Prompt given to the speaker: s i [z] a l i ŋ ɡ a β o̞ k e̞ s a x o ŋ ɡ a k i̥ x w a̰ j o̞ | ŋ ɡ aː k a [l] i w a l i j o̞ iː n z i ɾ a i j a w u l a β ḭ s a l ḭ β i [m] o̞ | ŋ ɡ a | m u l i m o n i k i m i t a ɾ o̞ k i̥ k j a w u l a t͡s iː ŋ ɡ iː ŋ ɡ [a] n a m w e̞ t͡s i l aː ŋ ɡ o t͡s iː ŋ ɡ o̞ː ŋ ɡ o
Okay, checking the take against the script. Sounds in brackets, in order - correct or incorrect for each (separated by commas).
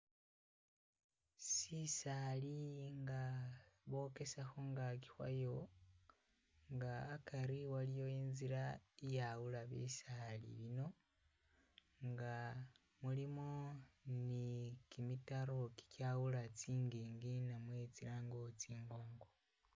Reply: incorrect, incorrect, incorrect, incorrect